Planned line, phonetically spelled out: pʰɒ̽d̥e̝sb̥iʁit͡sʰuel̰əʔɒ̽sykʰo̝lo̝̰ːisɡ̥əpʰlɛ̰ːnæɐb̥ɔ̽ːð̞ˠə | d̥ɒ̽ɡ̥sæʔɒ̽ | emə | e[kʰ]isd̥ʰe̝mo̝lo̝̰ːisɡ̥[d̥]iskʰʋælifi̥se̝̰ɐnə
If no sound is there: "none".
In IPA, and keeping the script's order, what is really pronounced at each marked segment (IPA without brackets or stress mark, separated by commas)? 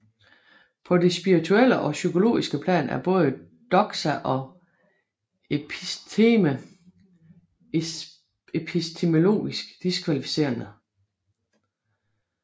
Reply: pʰ, d̥